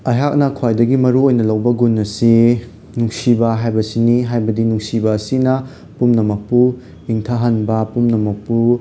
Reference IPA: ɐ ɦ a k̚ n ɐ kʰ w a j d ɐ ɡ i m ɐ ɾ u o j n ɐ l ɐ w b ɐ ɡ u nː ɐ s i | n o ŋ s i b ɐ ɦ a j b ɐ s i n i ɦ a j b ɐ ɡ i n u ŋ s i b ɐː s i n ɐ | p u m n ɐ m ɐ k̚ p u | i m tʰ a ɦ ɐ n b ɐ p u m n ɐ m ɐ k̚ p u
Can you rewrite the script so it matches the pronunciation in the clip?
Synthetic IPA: ɐ ɦ a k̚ n ɐ kʰ w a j d ɐ ɡ i m ɐ ɾ u o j n ɐ l ɐ w b ɐ ɡ u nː ɐ s i | n u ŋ s i b ɐ ɦ a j b ɐ s i n i ɦ a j b ɐ d i n u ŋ s i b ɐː s i n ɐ | p u m n ɐ m ɐ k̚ p u | i ŋ tʰ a ɦ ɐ n b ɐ p u m n ɐ m ɐ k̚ p u